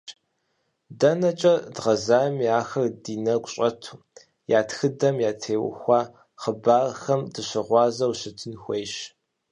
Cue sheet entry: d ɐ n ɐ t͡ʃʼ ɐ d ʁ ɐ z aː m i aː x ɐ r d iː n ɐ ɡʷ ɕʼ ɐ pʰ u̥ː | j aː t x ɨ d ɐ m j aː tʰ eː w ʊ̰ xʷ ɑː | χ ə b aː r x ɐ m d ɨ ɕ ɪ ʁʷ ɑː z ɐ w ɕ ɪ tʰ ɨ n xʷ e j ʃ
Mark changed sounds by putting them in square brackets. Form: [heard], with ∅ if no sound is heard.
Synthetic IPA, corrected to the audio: d ɐ n ɐ t͡ʃʼ ɐ d ʁ ɐ z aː m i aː x ɐ r d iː n ɐ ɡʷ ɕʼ ɐ [tʰ] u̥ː | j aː t x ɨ d ɐ m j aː tʰ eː w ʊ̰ xʷ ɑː | χ ə b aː r x ɐ m d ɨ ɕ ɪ ʁʷ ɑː z ɐ w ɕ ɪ tʰ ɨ n xʷ e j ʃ

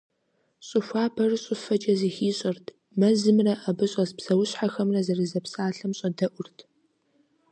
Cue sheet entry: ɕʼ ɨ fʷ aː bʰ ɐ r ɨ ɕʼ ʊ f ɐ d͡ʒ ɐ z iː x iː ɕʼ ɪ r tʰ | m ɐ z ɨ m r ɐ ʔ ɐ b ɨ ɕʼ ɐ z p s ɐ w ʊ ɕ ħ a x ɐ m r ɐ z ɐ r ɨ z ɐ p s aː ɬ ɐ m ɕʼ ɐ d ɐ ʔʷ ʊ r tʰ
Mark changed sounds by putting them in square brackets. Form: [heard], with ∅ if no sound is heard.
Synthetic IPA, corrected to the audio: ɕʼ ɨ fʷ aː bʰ ɐ r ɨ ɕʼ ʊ f ɐ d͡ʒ ɐ z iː x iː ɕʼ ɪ r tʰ | m ɐ z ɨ m r ɐ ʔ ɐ b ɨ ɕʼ ɐ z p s ɐ w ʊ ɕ ħ a x ɐ m r ɐ z ɐ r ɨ z ɐ p s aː ɬ ɐ m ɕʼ ɐ d ɐ ʔʷ ʊ r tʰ

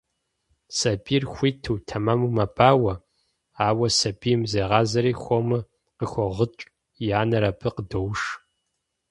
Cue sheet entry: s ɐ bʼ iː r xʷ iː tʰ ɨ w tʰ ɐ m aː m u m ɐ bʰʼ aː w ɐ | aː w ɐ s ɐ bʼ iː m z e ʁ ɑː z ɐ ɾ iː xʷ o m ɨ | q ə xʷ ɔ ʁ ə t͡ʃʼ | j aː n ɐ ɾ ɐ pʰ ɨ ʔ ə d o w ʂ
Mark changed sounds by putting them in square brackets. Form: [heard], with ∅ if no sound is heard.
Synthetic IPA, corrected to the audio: s ɐ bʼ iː r xʷ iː tʰ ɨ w tʰ ɐ m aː m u m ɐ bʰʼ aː w ɐ | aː w ɐ s ɐ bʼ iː m z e ʁ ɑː z ɐ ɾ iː xʷ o m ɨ | q ə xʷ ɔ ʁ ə t͡ʃʼ | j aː n ɐ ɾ ɐ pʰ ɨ [q] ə d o w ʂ

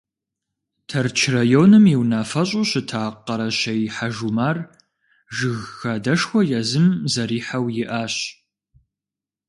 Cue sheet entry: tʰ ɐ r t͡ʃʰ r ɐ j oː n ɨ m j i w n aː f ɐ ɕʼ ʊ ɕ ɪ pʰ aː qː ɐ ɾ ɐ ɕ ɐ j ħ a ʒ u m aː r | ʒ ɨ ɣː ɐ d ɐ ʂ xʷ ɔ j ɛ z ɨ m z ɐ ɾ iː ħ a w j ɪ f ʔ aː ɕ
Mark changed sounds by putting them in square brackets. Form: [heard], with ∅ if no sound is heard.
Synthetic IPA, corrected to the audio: tʰ ɐ r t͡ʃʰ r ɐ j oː n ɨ m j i w n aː f ɐ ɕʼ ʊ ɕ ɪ [tʰ] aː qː ɐ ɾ ɐ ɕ ɐ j ħ a ʒ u m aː r | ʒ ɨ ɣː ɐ d ɐ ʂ xʷ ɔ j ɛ z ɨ m z ɐ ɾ iː ħ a w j ɪ [∅] ʔ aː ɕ

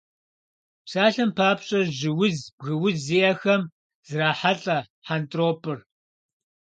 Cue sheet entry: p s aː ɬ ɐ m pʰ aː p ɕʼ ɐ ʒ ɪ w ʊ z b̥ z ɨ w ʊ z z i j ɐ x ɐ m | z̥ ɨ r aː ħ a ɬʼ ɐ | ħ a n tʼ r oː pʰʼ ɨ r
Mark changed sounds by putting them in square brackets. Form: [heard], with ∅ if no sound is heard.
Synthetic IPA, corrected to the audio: p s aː ɬ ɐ m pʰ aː p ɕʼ ɐ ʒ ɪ w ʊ z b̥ [ɣ] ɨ w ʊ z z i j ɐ x ɐ m | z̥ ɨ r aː ħ a ɬʼ ɐ | ħ a n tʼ r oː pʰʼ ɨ r

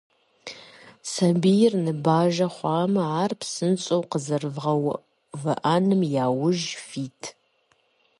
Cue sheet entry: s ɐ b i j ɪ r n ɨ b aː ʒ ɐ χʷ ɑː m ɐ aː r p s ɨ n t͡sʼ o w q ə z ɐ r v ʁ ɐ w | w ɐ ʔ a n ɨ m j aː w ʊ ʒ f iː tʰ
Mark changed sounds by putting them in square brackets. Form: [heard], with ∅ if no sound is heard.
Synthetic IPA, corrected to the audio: s ɐ b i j ɪ r n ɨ b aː ʒ ɐ χʷ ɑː m ɐ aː r p s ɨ n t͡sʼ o w q ə z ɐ r v ʁ ɐ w | [v] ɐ ʔ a n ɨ m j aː w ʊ ʒ f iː tʰ

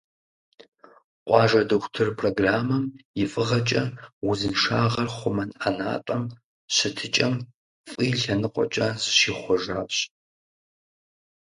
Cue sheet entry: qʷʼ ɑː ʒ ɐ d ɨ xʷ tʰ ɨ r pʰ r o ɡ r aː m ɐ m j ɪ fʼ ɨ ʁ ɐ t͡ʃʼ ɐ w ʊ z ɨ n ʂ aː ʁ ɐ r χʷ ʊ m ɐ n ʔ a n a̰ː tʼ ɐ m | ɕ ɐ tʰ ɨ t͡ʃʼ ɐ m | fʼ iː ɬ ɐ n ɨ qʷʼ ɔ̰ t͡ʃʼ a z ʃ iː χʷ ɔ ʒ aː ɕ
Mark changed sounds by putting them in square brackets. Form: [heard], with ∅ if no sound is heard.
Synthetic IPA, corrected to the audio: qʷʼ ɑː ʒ ɐ d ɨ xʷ tʰ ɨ r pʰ r o ɡ r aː m ɐ m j ɪ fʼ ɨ ʁ ɐ t͡ʃʼ ɐ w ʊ z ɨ n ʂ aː ʁ ɐ r χʷ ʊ m ɐ n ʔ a n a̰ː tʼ ɐ m | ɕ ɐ tʰ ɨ t͡ʃʼ ɐ m | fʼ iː ɬ ɐ n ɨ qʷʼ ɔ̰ t͡ʃʼ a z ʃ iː χʷ ɔ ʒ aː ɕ

